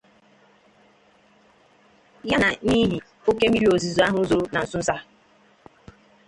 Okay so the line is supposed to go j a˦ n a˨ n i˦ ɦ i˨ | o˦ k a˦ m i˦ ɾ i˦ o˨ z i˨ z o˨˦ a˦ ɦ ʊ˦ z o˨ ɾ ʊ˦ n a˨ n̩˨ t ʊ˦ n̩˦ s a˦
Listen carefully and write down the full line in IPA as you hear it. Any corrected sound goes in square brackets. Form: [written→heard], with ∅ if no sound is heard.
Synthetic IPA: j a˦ n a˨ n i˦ ɦ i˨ | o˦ k [a˦→e˦] m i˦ ɾ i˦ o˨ z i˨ z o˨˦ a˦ ɦ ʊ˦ z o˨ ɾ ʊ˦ n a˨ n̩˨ [t→s] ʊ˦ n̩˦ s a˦